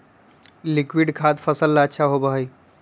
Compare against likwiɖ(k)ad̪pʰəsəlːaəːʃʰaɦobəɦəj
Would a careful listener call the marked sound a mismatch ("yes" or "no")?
yes